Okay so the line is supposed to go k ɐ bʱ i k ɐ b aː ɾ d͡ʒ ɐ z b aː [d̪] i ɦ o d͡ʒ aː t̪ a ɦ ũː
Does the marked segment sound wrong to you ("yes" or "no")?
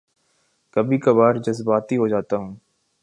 yes